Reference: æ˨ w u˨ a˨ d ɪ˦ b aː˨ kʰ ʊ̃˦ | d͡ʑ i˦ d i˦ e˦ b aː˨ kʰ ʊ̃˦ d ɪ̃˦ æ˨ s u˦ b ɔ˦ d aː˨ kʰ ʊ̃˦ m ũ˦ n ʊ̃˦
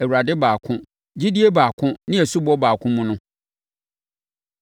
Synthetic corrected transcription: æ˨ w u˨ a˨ d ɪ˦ b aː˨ kʰ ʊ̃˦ | d͡ʑ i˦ d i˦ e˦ b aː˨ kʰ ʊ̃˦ n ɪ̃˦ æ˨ s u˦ b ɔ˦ b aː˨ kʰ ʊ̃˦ m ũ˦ n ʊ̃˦